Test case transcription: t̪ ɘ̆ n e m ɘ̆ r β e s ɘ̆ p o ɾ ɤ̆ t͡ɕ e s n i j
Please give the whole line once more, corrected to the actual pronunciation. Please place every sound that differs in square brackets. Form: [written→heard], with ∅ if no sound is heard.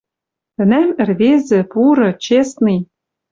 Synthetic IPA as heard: t̪ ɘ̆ n [e→æ] m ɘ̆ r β e [s→z] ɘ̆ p [o→u] ɾ ɤ̆ t͡ɕ e s n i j